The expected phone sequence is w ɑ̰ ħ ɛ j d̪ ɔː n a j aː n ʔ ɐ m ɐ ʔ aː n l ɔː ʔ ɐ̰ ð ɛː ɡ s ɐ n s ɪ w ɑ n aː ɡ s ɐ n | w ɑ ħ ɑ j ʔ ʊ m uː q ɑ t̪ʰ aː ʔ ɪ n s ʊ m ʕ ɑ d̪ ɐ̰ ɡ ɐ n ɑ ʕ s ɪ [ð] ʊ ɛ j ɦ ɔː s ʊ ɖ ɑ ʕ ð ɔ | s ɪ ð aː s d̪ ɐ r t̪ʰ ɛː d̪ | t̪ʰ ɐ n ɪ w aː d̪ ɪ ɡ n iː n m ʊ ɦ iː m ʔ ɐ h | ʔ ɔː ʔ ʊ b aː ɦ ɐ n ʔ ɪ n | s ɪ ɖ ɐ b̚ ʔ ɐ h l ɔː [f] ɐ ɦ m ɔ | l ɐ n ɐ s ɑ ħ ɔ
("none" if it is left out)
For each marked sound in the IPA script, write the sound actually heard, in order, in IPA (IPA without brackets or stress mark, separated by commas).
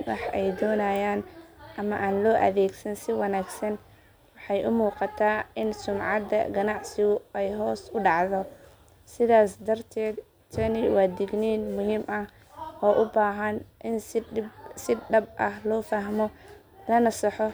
ɣ, f